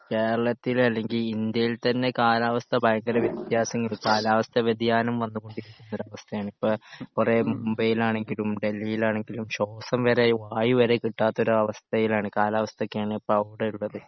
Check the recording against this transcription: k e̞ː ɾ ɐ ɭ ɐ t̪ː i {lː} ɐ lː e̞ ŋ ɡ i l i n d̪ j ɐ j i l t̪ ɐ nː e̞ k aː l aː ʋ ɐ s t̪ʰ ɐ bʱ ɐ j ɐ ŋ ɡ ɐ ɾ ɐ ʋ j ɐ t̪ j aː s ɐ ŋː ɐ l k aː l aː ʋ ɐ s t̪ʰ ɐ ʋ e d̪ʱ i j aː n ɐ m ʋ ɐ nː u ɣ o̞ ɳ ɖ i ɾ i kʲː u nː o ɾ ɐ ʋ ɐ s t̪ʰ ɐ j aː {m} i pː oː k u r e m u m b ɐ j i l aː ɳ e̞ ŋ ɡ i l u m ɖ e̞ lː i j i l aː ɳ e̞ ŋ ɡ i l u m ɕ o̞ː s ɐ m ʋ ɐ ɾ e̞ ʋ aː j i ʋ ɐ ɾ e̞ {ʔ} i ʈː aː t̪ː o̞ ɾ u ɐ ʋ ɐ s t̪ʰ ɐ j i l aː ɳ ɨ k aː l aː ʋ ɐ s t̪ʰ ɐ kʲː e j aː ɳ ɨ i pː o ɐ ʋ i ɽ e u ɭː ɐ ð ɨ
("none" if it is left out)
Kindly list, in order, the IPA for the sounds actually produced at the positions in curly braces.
l, ɳ, k

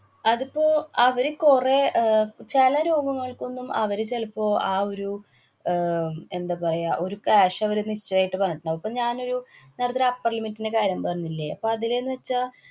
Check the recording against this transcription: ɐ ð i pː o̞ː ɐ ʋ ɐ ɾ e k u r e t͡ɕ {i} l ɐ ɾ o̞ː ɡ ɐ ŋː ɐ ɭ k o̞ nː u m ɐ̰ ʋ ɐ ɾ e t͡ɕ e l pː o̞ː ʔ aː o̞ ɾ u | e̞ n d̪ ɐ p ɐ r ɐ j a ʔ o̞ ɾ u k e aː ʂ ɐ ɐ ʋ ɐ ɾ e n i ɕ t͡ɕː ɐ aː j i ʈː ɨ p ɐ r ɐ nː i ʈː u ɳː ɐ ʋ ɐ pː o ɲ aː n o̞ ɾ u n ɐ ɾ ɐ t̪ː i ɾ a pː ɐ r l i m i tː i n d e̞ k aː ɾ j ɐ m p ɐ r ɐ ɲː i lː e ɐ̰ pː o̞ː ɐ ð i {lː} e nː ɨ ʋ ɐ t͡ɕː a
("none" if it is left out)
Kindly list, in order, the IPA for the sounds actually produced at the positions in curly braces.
e, l

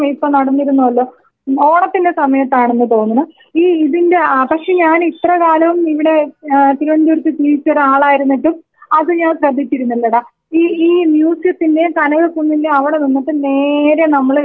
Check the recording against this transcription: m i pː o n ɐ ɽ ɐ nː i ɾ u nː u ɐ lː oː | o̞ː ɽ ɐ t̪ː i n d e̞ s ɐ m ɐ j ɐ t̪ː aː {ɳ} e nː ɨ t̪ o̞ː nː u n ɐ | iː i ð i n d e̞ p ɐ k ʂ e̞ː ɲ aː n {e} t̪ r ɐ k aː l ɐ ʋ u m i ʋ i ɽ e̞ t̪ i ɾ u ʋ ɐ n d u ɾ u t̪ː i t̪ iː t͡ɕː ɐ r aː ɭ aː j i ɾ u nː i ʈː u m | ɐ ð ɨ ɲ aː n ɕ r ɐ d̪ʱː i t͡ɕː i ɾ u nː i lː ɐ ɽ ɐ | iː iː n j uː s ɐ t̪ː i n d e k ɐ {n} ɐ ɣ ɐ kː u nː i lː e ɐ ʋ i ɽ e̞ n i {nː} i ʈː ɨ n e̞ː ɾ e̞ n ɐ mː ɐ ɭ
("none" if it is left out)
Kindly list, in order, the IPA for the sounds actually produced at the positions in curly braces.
ɳ, i, n, nː

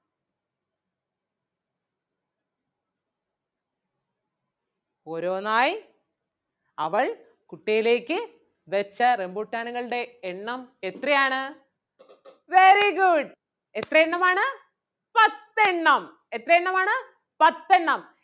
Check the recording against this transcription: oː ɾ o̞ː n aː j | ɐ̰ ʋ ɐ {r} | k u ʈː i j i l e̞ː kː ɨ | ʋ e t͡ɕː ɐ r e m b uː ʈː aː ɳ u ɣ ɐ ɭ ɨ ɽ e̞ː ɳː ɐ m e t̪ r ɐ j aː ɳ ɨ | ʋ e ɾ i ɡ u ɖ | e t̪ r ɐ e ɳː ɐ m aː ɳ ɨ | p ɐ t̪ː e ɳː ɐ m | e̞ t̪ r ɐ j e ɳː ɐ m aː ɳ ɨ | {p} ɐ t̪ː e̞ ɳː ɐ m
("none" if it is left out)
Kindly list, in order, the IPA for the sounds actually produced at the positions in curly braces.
ɭ, p

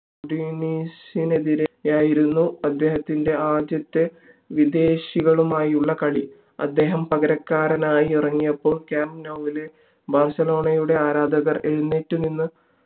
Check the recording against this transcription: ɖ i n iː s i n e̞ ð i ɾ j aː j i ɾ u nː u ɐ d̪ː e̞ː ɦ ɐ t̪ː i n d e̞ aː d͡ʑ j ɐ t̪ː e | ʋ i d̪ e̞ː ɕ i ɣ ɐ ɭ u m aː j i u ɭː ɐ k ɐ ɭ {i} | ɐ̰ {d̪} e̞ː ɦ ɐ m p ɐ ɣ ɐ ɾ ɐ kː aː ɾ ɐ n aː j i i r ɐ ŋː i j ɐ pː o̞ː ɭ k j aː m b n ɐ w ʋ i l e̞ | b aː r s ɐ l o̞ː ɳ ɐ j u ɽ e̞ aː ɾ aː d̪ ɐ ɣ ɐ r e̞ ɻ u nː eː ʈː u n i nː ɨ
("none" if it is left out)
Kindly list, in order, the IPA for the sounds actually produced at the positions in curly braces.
i, d̪ː

